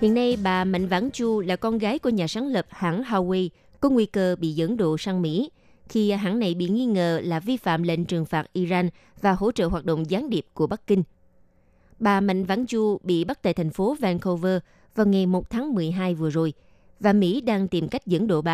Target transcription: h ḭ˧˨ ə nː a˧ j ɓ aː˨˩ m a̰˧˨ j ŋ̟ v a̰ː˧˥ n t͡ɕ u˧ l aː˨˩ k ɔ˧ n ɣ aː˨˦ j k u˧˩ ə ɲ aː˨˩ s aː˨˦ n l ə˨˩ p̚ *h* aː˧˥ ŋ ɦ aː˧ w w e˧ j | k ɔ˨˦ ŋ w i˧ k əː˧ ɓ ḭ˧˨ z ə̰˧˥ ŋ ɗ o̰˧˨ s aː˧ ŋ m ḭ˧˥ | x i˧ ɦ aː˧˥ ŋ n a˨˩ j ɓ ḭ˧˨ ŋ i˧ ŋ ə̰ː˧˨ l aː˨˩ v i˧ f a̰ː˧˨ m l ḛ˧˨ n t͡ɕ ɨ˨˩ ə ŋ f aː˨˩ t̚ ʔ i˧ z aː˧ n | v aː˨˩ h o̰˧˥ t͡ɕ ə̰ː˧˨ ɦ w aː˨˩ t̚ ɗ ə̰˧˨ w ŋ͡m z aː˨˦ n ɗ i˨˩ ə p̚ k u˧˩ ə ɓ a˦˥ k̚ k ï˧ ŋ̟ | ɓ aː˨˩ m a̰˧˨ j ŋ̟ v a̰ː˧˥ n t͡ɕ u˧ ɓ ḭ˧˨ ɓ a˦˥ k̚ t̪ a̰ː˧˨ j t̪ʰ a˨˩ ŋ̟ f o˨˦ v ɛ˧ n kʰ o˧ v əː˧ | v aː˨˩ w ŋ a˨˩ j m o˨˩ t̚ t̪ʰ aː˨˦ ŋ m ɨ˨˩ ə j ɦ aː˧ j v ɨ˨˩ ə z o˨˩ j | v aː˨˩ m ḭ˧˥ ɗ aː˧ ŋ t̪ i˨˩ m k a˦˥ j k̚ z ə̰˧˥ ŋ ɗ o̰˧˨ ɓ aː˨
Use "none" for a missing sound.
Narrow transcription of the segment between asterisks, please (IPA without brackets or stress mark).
h